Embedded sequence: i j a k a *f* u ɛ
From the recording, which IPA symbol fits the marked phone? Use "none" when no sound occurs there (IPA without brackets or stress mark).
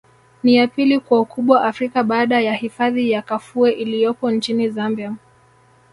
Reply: f